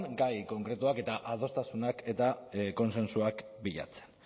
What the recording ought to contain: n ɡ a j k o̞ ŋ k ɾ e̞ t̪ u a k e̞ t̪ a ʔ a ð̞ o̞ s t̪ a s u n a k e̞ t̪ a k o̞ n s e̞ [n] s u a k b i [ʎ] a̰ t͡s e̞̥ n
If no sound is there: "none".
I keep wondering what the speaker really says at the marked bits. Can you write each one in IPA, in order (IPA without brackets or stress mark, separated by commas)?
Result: n, ʎ